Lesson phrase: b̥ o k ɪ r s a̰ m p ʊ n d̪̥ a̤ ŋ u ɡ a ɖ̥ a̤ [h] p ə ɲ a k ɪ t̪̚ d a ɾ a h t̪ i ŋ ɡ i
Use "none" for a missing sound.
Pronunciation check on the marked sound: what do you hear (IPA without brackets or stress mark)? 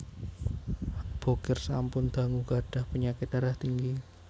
h